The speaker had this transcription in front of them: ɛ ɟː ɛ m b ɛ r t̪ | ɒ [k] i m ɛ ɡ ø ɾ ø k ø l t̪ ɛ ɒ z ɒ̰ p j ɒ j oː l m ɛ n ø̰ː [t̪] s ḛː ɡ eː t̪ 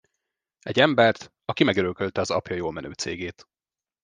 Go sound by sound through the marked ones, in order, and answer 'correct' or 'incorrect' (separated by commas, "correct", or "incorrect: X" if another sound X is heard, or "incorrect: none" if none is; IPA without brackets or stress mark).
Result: correct, correct